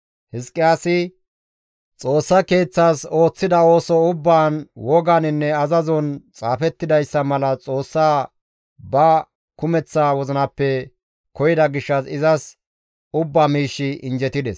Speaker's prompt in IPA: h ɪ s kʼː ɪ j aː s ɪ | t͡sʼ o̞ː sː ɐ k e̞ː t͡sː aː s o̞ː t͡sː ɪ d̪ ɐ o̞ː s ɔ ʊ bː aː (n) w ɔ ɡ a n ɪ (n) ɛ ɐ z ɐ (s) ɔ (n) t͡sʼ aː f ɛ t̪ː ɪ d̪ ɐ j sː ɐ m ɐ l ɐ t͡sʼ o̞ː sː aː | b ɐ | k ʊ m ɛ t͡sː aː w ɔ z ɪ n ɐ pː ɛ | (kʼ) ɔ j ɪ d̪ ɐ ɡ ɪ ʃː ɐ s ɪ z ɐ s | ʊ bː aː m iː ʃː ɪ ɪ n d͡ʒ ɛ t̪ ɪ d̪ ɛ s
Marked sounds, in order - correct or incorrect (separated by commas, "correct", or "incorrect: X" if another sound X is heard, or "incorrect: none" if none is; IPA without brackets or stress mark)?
correct, incorrect: nː, incorrect: z, correct, incorrect: k